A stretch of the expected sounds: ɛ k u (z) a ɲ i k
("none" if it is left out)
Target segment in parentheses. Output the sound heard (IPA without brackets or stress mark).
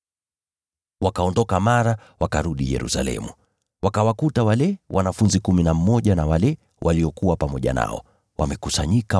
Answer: s